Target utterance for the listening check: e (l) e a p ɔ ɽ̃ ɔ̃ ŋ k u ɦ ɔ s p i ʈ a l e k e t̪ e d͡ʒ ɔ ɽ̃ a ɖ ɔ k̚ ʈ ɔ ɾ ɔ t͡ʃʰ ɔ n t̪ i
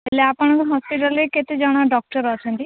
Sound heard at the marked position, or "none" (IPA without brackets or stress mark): l